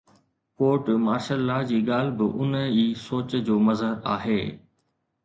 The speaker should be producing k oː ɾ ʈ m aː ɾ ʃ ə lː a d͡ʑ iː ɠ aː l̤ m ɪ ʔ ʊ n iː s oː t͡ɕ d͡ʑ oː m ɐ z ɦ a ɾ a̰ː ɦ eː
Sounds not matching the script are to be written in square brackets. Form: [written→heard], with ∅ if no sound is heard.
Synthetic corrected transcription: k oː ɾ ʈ m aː ɾ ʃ ə lː a d͡ʑ iː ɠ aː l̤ [m→b] ɪ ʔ ʊ n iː s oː t͡ɕ d͡ʑ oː m ɐ z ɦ [a→ə] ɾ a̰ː ɦ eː